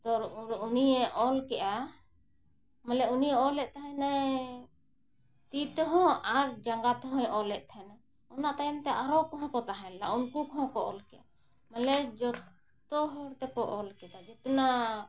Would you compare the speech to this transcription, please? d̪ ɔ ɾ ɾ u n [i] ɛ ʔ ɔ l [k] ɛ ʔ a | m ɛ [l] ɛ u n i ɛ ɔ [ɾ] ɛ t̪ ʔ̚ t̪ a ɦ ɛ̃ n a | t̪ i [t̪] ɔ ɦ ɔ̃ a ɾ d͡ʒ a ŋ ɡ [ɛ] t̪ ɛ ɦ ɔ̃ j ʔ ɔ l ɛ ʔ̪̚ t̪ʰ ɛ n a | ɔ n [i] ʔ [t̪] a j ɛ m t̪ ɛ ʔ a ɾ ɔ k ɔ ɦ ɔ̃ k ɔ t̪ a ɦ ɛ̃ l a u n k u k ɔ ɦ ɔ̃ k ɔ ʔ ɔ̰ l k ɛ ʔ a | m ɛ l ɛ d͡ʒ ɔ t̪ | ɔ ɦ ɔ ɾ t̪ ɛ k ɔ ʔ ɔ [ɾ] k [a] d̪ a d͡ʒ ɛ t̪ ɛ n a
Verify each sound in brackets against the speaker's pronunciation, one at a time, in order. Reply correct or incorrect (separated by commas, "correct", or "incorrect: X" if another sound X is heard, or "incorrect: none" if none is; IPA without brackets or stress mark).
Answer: correct, correct, correct, incorrect: l, correct, incorrect: a, incorrect: a, correct, incorrect: l, incorrect: ɛ